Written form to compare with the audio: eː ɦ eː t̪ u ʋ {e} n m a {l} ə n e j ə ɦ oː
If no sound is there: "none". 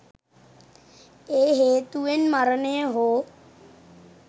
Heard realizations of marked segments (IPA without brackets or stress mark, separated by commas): e, ɾ